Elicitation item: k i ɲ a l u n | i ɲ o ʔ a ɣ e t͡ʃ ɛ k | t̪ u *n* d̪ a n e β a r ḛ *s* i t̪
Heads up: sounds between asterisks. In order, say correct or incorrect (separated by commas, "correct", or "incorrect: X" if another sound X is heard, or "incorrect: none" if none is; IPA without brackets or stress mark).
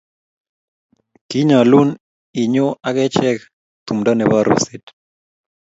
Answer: incorrect: m, correct